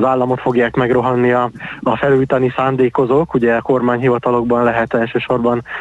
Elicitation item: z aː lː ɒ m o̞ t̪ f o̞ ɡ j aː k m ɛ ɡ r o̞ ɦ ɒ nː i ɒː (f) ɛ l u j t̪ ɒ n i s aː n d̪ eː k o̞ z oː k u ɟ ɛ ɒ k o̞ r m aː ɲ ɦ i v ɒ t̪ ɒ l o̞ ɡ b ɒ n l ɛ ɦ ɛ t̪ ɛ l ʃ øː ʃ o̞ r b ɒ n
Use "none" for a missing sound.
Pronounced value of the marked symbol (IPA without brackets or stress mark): f